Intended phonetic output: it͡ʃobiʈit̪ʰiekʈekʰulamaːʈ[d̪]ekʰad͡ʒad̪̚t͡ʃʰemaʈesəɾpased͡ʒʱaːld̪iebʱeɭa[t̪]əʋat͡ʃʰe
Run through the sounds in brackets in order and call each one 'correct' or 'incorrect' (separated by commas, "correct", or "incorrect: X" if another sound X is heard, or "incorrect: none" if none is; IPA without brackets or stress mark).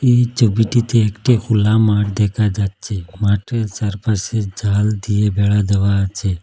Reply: correct, incorrect: d̪